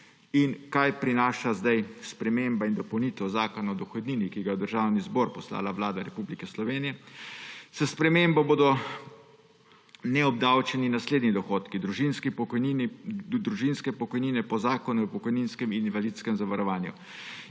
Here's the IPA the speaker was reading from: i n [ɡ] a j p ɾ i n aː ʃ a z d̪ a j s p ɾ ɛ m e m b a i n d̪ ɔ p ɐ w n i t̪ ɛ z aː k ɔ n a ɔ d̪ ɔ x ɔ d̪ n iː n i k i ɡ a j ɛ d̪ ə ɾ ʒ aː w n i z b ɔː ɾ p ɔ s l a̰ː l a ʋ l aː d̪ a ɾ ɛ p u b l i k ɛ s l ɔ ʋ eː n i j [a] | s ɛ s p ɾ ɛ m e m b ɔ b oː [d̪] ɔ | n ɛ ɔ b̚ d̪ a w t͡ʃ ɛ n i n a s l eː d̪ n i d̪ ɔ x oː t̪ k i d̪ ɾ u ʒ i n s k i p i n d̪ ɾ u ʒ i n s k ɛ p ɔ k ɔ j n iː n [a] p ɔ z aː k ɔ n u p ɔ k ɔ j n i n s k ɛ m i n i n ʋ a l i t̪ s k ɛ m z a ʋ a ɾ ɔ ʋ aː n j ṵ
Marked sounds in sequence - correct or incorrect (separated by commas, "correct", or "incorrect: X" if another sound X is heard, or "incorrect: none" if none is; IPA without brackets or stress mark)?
incorrect: k, incorrect: ɛ, correct, incorrect: ɛ